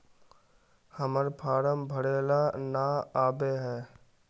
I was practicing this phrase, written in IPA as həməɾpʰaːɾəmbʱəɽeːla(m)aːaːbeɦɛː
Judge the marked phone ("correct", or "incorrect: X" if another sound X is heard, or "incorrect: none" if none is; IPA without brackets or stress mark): incorrect: n